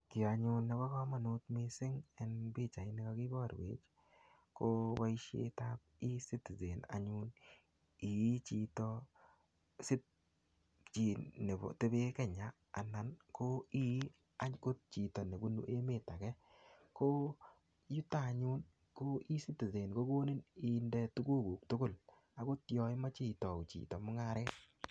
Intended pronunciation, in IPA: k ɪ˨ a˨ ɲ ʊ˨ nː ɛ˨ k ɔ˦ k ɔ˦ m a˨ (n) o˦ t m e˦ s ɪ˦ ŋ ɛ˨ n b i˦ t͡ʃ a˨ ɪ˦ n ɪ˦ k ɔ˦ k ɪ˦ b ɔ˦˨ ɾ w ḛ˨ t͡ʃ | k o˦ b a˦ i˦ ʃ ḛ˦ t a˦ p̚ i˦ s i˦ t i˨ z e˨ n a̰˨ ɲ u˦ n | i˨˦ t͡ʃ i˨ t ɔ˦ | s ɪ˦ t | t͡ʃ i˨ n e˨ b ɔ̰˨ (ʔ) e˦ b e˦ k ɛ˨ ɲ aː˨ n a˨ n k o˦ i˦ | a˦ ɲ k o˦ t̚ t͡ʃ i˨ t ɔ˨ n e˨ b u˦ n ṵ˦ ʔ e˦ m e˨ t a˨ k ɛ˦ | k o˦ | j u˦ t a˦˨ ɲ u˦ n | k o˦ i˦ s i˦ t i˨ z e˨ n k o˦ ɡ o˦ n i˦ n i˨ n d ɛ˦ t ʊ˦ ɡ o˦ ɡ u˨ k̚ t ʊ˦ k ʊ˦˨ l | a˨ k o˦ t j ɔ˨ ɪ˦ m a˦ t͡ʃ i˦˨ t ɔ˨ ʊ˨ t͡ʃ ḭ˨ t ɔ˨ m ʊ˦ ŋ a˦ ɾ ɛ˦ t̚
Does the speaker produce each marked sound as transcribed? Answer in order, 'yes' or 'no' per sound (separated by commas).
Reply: yes, no